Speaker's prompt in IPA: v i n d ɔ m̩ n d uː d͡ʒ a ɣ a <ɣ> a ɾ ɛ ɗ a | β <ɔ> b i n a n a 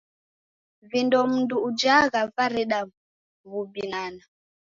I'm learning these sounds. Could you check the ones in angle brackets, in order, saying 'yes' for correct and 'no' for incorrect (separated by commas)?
no, no